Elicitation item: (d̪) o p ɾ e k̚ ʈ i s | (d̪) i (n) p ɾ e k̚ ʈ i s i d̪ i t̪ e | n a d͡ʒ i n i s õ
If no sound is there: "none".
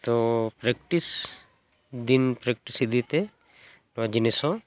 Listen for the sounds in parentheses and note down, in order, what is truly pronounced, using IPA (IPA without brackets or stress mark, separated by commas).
t̪, d̪, n